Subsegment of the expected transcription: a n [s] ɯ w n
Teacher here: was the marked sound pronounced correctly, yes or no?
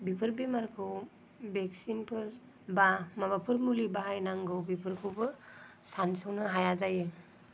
yes